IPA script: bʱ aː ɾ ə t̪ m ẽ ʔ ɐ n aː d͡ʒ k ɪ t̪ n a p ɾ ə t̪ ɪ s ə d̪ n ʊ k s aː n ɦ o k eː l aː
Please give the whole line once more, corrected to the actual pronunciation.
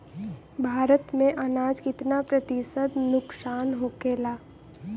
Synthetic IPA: bʱ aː ɾ ə t̪ m ẽ ʔ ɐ n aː d͡ʒ k ɪ t̪ n a p ɾ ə t̪ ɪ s ə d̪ n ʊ k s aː n ɦ o k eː l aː